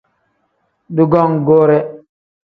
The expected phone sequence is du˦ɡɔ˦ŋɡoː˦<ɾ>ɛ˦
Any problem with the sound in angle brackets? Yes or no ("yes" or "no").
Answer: no